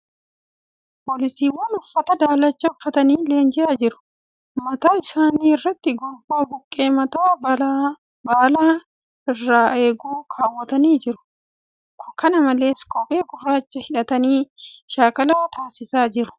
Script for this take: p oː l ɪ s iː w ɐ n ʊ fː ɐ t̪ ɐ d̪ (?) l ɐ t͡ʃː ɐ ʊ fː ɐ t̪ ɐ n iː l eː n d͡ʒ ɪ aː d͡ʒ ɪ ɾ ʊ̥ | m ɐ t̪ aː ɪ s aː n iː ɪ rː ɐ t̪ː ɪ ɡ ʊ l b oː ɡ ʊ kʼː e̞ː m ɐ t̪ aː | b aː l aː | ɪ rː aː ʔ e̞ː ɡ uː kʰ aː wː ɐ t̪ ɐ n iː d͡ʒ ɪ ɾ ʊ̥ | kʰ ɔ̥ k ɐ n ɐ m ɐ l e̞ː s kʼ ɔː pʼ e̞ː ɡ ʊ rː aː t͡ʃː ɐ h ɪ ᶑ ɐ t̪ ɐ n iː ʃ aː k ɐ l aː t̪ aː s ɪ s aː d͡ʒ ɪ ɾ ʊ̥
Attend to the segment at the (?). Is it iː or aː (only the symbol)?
aː